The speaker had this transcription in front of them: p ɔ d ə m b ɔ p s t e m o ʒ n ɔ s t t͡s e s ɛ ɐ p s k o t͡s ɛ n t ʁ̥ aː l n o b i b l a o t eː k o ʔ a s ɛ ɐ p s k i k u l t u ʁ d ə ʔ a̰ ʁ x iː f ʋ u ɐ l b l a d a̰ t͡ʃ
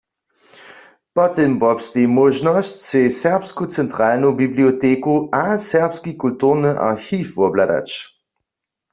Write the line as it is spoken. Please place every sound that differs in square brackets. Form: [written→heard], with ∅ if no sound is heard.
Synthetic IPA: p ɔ [d→t] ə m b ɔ p s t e m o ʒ n ɔ s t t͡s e s ɛ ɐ p s k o t͡s ɛ n t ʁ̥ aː l n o b i b l [a→i] o t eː k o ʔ a s ɛ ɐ p s k i k u l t u ʁ [d→n] ə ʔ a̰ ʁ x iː f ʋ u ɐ [l→∅] b l a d a̰ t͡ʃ